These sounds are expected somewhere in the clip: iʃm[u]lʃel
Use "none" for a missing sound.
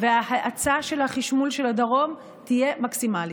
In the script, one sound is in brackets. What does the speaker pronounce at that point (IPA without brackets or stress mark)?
u